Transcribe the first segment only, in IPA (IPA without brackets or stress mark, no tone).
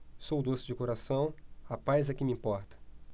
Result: s